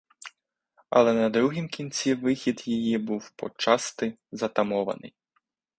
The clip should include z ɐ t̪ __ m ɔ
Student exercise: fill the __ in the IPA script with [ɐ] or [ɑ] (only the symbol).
ɐ